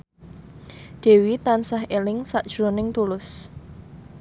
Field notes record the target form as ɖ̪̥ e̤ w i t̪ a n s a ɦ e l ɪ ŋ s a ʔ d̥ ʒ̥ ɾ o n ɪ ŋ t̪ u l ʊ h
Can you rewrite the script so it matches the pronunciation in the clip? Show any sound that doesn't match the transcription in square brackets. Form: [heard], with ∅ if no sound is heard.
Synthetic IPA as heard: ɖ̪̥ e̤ w i t̪ a n s a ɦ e l ɪ ŋ s a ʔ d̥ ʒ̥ ɾ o n ɪ ŋ t̪ u l ʊ [s]